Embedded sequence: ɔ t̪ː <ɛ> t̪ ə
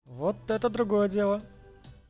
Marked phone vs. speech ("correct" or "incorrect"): correct